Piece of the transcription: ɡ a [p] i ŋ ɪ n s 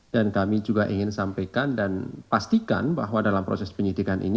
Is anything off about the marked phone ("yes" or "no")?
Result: yes